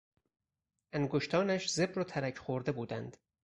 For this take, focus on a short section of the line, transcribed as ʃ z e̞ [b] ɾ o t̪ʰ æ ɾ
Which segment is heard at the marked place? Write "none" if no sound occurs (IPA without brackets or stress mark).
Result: b